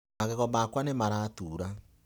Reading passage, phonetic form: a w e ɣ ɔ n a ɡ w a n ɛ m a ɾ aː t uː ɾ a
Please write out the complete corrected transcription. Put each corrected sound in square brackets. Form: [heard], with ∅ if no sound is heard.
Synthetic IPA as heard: a [ɣ] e ɣ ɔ [m] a [k] w a n [e] m a ɾ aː t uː ɾ a